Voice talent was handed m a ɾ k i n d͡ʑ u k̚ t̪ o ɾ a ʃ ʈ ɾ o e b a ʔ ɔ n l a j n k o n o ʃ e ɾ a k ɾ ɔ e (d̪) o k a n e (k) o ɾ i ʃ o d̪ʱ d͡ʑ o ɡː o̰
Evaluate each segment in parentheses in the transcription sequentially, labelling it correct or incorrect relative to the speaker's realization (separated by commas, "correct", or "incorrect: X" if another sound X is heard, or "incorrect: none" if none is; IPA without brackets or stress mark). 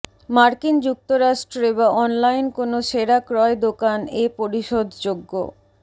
correct, incorrect: p